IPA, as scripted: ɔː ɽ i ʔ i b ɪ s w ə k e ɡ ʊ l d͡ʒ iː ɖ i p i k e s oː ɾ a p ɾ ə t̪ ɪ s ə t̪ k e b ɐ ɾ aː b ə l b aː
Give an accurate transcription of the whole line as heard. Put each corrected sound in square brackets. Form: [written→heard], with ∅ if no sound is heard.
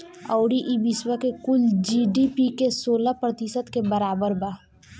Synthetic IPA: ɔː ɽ i ʔ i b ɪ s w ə k e [ɡ→k] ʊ l d͡ʒ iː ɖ i p i k e s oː [ɾ→l] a p ɾ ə t̪ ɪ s ə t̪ k e b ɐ ɾ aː b ə [l→ɾ] b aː